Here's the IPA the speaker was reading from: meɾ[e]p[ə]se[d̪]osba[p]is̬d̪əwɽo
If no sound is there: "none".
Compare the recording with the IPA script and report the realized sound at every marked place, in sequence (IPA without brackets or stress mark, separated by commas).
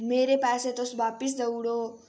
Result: e, a, t̪, p